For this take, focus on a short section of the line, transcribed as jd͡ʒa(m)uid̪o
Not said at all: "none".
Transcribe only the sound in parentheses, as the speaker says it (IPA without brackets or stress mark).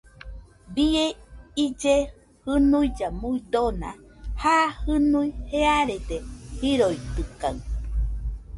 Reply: m